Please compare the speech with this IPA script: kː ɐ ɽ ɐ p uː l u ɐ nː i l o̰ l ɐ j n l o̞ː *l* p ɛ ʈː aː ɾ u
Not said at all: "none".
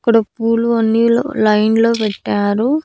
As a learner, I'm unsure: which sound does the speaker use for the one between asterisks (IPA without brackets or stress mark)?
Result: none